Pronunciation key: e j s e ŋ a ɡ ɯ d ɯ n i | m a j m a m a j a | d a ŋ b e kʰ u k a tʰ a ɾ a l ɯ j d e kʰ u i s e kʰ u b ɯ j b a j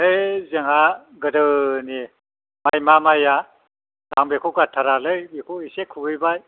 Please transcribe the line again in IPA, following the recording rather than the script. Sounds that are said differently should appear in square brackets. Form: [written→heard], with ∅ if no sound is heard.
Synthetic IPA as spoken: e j [s→z] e ŋ a ɡ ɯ d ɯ n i | m a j m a m a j a | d a ŋ b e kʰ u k a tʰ a ɾ a l ɯ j [d→b] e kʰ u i s e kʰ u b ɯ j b a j